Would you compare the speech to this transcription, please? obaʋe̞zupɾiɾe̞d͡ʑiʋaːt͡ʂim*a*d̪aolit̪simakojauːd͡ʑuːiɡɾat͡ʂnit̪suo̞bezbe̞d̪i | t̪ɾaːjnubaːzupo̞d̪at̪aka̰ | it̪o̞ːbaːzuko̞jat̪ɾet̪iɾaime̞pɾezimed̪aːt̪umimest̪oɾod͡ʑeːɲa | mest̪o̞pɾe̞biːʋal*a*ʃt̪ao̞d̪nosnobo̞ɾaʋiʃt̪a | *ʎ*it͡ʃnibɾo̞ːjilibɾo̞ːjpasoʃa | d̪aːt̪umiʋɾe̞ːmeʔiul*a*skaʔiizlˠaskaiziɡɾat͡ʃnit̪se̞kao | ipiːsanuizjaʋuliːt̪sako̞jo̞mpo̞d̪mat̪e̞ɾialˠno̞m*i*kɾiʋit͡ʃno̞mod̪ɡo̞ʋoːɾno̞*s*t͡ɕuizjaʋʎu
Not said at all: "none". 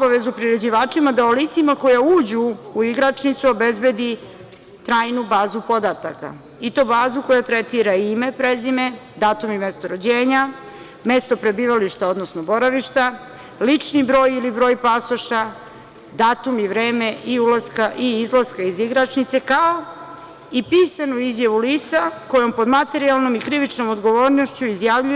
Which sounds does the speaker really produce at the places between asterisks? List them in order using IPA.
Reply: a, i, l, a, i, ʃ

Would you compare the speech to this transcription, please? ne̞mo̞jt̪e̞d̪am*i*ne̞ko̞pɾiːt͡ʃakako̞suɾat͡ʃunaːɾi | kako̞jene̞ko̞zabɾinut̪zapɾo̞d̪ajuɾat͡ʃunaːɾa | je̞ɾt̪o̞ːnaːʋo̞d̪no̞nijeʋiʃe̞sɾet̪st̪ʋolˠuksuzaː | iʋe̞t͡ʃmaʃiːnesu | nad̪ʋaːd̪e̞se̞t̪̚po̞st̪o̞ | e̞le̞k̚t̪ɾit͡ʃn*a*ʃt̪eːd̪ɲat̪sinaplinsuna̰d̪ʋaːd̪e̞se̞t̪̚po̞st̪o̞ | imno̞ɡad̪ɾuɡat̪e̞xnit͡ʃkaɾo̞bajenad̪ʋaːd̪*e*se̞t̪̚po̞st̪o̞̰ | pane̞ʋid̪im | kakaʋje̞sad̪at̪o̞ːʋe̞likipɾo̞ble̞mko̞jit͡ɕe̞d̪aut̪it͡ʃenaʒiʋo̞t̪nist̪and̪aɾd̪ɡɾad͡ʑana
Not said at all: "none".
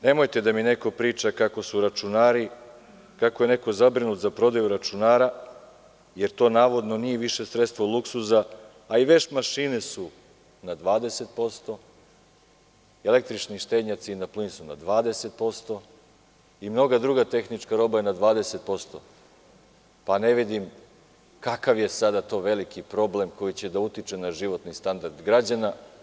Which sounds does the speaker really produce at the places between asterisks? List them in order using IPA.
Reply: i, i, e

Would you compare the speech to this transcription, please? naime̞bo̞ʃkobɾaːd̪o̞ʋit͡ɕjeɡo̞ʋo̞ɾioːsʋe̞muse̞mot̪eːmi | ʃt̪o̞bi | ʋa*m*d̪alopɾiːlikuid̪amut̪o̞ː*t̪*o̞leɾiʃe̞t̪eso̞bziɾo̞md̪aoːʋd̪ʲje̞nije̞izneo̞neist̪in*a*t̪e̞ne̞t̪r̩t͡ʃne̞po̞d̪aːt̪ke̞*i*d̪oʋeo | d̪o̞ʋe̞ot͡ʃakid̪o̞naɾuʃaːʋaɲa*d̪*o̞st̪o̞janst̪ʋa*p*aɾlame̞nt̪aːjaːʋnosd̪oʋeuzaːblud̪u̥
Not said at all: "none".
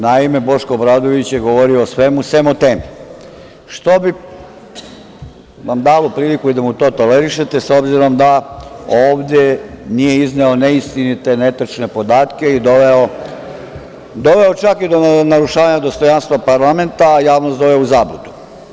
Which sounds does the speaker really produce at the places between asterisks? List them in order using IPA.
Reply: m, t̪, i, i, d̪, p

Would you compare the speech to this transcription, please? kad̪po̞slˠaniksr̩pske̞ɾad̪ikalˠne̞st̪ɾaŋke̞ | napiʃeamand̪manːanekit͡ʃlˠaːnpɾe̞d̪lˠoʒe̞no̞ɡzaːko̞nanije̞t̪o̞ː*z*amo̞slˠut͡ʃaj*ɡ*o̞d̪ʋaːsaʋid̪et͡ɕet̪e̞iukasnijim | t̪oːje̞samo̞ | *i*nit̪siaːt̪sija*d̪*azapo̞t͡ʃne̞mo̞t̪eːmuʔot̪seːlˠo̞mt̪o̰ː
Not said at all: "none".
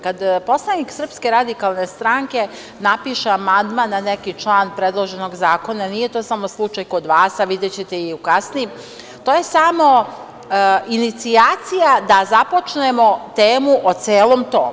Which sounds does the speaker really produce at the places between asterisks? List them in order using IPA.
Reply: s, k, i, d̪

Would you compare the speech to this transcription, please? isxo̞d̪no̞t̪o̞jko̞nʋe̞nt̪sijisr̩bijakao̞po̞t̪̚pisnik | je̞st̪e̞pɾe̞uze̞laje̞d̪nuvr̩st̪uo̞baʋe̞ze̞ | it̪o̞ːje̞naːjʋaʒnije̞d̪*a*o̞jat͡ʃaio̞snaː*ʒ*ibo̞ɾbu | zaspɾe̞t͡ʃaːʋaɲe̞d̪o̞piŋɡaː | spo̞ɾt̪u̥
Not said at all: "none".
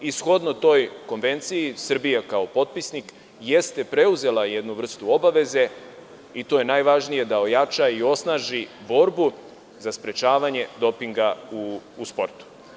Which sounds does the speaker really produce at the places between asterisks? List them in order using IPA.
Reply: a, ʒ

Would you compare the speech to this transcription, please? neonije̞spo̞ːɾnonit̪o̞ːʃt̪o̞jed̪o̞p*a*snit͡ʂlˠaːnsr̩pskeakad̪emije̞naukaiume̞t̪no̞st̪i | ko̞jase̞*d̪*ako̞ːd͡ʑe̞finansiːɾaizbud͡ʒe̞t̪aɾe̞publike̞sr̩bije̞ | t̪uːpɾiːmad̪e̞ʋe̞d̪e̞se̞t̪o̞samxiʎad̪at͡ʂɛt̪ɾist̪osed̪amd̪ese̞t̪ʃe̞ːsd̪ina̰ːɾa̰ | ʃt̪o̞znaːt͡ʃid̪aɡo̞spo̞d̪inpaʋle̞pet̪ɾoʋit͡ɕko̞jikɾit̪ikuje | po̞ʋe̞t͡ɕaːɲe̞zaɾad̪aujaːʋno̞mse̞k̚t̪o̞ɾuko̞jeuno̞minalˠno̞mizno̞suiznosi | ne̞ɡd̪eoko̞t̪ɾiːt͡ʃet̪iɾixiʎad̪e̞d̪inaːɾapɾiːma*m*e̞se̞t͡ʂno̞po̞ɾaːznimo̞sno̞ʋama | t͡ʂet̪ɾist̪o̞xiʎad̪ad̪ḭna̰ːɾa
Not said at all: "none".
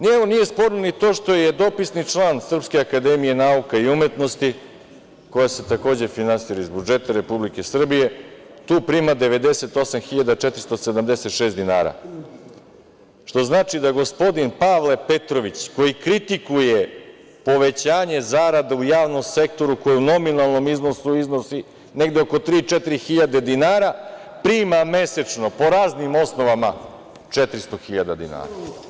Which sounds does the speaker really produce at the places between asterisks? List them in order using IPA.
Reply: i, t̪, m

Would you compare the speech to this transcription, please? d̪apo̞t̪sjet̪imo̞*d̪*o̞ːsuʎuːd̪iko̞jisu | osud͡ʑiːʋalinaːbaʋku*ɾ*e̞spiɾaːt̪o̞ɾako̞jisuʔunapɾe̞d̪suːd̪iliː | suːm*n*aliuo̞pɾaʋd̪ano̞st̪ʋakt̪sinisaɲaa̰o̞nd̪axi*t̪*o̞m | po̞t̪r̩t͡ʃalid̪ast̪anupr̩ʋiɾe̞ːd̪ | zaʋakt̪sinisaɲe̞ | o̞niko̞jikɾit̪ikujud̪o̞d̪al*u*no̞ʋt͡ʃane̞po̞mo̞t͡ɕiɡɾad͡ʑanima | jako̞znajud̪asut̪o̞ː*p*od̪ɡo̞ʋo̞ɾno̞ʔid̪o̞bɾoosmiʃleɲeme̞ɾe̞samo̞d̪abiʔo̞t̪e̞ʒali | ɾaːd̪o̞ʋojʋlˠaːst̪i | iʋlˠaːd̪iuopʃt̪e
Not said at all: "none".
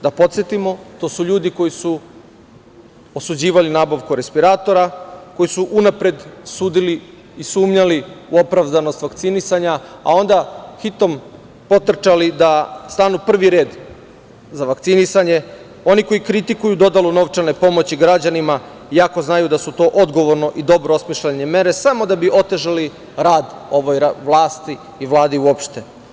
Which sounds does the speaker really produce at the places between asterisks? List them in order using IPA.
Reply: t̪, ɾ, ɲ, t̪, u, ʔ

